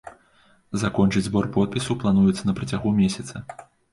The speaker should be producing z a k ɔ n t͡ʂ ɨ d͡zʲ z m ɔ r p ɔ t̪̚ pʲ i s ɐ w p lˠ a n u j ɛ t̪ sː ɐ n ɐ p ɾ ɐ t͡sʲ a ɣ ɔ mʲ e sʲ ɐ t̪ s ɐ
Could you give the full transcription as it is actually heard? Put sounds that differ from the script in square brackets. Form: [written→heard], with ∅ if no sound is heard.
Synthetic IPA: z a k ɔ n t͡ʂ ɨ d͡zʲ z [m→b] ɔ r p ɔ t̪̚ pʲ i s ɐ w p lˠ a n u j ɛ t̪ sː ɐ n ɐ p ɾ ɐ t͡sʲ a ɣ [ɔ→u] mʲ e sʲ ɐ t̪ s ɐ